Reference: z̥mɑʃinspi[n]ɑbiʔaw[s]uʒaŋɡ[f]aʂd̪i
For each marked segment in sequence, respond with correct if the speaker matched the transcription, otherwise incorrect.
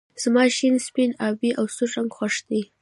correct, correct, incorrect

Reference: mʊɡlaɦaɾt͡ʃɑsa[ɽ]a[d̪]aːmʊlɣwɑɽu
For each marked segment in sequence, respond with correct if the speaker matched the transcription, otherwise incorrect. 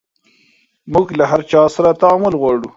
incorrect, incorrect

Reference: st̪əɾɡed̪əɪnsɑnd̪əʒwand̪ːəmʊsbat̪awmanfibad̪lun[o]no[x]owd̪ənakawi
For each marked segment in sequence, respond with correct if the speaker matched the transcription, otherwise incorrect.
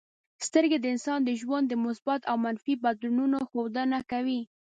incorrect, correct

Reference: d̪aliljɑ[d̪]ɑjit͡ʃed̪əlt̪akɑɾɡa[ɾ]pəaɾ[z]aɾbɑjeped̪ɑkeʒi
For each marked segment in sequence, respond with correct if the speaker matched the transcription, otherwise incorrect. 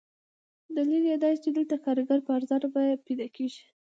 correct, correct, correct

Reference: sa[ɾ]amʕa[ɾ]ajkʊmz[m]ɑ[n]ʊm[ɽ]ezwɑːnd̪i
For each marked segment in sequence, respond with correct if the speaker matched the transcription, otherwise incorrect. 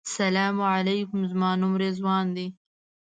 incorrect, incorrect, correct, correct, incorrect

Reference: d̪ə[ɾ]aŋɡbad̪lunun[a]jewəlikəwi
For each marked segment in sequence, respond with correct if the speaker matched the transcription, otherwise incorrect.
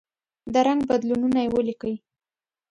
correct, correct

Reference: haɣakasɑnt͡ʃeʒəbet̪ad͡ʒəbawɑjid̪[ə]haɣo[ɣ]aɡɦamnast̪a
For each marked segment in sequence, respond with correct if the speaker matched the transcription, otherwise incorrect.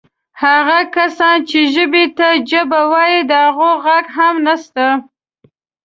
correct, correct

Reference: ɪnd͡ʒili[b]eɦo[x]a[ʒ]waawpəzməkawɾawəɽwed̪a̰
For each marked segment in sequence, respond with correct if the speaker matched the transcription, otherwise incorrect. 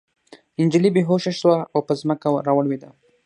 correct, incorrect, incorrect

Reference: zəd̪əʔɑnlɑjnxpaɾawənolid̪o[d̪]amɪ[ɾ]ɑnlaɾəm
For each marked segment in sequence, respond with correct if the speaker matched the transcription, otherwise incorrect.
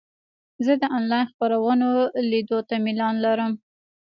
incorrect, incorrect

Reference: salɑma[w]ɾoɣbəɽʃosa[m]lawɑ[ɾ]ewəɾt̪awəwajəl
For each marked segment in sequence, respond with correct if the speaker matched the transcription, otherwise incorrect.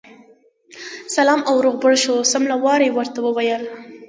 correct, correct, correct

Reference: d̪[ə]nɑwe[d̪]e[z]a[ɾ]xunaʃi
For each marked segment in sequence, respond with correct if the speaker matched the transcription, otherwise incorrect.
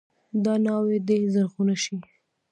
incorrect, correct, correct, correct

